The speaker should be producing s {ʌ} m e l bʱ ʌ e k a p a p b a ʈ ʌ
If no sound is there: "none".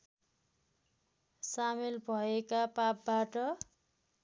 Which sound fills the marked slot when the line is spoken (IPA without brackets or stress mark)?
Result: a